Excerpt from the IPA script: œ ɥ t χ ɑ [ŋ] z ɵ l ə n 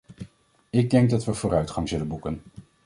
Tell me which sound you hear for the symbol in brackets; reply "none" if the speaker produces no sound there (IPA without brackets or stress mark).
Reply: ŋ